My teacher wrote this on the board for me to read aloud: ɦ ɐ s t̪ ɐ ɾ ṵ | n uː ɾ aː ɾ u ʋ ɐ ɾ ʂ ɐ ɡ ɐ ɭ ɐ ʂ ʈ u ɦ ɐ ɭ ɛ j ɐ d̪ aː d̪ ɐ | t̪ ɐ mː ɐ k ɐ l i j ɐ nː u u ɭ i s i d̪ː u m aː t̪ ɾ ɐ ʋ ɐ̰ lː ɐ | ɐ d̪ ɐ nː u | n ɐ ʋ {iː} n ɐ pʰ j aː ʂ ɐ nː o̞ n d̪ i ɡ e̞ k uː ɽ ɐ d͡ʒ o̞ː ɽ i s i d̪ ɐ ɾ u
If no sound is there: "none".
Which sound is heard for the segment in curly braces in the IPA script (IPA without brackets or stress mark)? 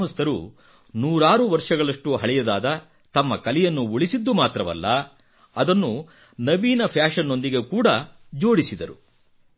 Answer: iː